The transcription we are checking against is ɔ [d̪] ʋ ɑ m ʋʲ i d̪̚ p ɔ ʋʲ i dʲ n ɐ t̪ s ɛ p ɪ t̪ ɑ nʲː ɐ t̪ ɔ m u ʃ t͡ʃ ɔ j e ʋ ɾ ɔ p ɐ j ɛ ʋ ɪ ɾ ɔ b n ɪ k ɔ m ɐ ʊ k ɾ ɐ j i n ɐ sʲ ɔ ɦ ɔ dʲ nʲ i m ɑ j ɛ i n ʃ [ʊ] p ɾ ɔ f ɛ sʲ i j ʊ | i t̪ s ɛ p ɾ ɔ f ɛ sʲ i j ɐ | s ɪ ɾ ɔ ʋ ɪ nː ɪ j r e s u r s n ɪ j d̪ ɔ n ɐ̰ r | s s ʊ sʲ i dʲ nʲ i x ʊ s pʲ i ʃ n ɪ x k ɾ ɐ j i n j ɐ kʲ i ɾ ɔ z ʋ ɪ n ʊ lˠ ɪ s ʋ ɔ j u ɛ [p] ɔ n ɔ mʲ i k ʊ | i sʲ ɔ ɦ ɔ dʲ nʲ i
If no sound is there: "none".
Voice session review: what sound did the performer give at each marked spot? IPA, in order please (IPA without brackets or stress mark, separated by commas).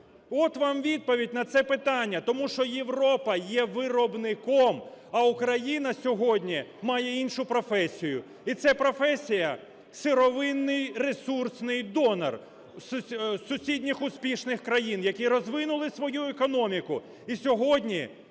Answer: t̪, ʊ, k